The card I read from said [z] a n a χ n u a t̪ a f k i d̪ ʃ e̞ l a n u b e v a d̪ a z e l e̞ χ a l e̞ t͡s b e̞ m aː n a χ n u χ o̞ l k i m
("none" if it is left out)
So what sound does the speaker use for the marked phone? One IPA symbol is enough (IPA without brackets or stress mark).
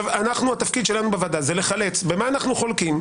v